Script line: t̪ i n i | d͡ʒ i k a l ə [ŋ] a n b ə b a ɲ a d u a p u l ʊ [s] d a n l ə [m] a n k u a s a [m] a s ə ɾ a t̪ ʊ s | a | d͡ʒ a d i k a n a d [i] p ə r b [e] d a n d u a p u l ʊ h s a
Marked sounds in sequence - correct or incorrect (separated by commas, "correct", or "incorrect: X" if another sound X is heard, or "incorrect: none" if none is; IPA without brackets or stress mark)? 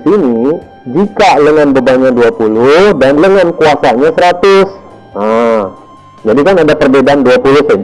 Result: correct, incorrect: h, incorrect: ŋ, incorrect: ɲ, incorrect: a, correct